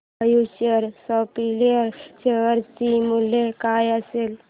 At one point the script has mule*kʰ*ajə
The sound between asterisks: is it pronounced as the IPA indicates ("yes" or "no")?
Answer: no